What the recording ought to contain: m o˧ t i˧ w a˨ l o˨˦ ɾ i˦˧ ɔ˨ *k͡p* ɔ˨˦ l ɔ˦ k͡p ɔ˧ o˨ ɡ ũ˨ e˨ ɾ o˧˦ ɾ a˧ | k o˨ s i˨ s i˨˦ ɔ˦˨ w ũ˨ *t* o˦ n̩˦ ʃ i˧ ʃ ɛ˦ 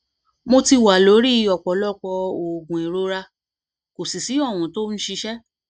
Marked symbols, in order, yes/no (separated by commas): yes, yes